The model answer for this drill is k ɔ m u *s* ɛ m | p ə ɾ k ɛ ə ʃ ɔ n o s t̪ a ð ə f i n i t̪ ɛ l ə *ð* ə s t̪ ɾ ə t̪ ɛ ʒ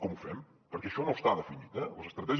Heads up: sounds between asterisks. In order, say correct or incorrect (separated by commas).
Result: incorrect, incorrect